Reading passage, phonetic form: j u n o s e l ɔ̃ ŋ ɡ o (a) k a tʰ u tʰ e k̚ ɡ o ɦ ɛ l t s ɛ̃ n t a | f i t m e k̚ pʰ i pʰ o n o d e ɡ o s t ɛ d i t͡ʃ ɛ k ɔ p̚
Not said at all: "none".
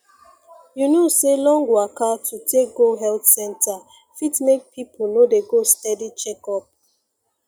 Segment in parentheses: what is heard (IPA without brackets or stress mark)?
a